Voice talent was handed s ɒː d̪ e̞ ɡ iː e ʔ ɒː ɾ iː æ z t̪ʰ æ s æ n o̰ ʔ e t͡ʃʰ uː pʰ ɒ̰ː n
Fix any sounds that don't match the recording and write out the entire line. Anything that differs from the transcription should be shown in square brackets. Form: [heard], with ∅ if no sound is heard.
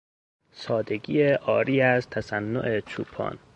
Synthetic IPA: s ɒː d̪ e̞ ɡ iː e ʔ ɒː ɾ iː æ z t̪ʰ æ s æ [nː] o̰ ʔ e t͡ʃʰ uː pʰ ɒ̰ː n